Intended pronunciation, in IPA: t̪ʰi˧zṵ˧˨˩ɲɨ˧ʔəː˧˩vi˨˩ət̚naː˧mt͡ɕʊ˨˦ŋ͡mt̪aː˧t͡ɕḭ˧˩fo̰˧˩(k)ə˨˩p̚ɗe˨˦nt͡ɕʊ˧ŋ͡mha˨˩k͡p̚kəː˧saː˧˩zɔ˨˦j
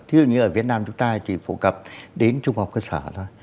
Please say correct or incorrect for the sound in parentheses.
correct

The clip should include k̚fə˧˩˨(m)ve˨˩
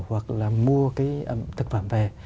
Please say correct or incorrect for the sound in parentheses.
correct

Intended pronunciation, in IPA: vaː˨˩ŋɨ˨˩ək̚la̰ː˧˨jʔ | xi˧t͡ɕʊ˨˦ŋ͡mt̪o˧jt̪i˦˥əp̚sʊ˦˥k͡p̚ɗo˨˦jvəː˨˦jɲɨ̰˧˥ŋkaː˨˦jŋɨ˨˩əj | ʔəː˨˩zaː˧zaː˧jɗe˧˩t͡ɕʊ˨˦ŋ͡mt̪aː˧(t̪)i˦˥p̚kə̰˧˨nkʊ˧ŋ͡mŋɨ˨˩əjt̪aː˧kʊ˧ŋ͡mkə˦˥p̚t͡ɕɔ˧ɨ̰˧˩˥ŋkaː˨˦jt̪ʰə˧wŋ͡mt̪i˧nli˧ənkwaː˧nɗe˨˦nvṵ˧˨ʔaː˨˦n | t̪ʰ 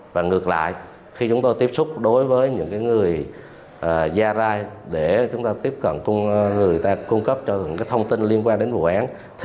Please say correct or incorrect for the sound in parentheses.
correct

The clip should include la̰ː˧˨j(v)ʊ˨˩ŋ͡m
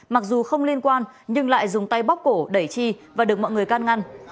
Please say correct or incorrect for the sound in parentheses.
incorrect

